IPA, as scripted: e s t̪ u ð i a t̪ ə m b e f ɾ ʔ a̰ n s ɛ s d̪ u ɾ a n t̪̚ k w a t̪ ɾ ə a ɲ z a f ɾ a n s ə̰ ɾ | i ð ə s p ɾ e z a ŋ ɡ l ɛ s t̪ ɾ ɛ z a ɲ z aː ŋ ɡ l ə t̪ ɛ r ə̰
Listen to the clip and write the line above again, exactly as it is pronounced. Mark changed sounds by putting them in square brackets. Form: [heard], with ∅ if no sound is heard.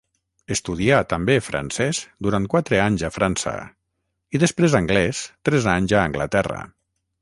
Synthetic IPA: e s t̪ u ð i a t̪ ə m b e f ɾ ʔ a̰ n s ɛ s d̪ u ɾ a n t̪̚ k w a t̪ ɾ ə a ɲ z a f ɾ a n s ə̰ [∅] | i ð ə s p ɾ e z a ŋ ɡ l ɛ s t̪ ɾ ɛ z a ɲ z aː ŋ ɡ l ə t̪ ɛ r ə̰